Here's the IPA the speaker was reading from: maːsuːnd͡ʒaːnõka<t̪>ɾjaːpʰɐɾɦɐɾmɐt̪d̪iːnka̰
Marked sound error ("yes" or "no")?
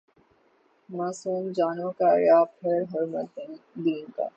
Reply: yes